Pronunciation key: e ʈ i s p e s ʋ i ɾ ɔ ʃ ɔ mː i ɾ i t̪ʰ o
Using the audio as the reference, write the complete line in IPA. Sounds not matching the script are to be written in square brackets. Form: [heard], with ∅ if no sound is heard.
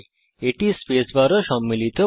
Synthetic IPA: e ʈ i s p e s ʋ [a] ɾ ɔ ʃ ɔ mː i [l] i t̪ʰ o